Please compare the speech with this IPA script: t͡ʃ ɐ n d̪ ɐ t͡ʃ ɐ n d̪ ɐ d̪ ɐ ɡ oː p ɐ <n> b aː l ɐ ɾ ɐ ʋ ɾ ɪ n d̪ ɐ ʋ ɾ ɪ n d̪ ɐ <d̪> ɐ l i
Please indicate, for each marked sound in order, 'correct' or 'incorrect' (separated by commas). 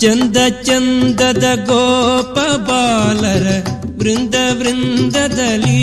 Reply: incorrect, correct